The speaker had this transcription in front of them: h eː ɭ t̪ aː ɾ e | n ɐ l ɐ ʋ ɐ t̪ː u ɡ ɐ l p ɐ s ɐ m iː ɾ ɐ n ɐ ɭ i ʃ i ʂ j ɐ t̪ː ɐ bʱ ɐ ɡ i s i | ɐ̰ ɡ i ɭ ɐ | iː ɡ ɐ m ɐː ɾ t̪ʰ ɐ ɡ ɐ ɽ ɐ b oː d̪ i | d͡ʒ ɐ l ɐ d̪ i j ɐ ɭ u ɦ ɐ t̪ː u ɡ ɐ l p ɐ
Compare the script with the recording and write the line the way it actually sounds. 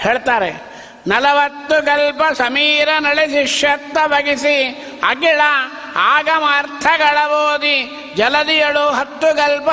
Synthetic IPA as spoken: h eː ɭ t̪ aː ɾ e | n ɐ l ɐ ʋ ɐ t̪ː u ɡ ɐ l p ɐ s ɐ m iː ɾ ɐ n ɐ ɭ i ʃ i ʂ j ɐ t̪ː ɐ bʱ ɐ ɡ i s i | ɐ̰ ɡ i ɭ ɐ | aː ɡ ɐ m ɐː ɾ t̪ʰ ɐ ɡ ɐ ɭ ɐ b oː d̪ i | d͡ʒ ɐ l ɐ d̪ i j ɐ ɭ u ɦ ɐ t̪ː u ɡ ɐ l p ɐ